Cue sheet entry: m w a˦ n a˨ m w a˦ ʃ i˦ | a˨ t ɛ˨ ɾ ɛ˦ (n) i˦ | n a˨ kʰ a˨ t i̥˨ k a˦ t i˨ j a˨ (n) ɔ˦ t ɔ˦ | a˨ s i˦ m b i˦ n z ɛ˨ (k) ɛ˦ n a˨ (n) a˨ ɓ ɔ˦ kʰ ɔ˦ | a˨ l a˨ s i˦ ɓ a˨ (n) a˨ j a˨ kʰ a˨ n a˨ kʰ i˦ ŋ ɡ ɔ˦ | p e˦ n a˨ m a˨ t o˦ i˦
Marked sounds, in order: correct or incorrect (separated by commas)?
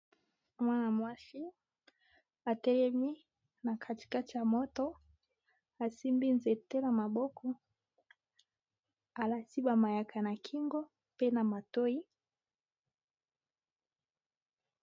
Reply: incorrect, incorrect, incorrect, incorrect, incorrect